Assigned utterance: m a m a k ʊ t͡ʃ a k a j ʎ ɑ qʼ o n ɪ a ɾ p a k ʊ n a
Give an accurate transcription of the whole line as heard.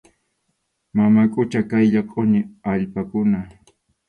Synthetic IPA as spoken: m a m a kʼ ʊ t͡ʃ a k a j ʎ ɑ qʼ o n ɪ a ʎ p a k ʊ n a